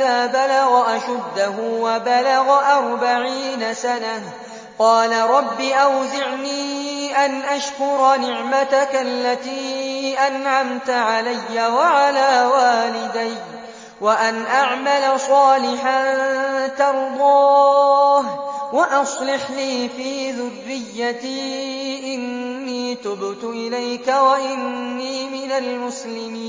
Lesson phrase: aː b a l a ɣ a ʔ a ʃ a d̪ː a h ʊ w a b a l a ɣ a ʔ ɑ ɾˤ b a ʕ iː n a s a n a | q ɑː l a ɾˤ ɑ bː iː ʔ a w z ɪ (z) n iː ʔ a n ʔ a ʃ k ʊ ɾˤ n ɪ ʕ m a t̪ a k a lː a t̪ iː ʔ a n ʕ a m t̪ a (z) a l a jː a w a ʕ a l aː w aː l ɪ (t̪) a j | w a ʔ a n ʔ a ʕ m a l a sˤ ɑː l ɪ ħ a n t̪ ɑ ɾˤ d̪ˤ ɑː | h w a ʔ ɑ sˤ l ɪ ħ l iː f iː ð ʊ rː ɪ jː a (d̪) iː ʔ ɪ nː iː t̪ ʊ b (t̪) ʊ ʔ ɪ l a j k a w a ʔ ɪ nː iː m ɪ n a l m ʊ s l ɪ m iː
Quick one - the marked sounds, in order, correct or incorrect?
incorrect: ʕ, incorrect: ʕ, incorrect: d̪, incorrect: t̪, correct

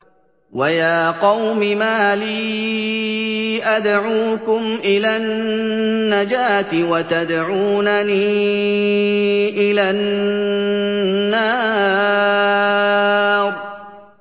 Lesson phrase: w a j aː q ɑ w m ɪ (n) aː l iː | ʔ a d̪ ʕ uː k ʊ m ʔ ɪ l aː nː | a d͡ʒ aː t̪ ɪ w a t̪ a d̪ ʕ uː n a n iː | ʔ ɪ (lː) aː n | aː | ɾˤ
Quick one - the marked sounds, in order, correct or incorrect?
incorrect: m, incorrect: l

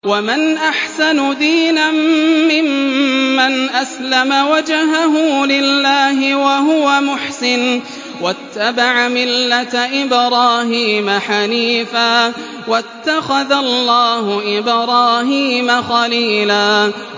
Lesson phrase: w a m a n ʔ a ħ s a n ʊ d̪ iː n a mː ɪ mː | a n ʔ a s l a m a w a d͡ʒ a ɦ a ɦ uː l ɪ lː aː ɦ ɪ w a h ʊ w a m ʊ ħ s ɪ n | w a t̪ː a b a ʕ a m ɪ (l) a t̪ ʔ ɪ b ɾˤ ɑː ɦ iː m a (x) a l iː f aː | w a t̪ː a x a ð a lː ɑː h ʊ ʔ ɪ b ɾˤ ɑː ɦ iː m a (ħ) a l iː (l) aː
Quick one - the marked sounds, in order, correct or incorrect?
incorrect: lː, incorrect: ħ, incorrect: x, correct

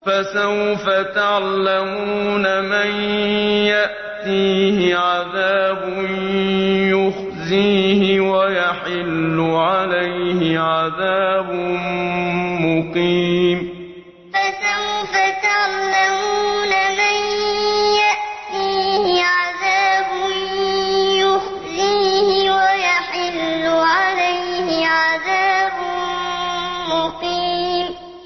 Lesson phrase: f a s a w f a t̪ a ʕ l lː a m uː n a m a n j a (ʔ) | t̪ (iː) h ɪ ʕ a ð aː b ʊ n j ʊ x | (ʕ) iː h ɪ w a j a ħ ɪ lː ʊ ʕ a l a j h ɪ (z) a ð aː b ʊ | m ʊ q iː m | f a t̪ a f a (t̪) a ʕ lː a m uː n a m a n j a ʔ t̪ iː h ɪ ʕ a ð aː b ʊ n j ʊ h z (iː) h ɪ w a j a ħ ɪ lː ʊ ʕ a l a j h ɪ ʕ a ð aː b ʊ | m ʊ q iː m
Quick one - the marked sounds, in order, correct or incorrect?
correct, correct, incorrect: z, incorrect: ʕ, correct, correct

